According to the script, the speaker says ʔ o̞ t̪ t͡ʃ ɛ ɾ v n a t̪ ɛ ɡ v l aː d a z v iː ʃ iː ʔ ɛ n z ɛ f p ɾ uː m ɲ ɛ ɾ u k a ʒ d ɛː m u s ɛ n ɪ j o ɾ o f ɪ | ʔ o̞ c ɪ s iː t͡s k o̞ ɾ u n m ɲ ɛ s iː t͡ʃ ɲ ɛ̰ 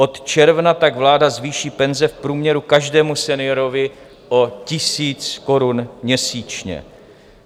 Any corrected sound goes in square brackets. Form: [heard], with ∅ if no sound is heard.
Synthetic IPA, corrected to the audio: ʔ o̞ t̪ t͡ʃ ɛ ɾ v n a t̪ [a] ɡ v l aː d a z v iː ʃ iː [p] ɛ n z ɛ f p ɾ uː m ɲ ɛ ɾ u k a ʒ d ɛː m u s ɛ n ɪ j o ɾ o [v] ɪ | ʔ o̞ c ɪ s iː t͡s k o̞ ɾ u n m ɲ ɛ s iː t͡ʃ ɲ ɛ̰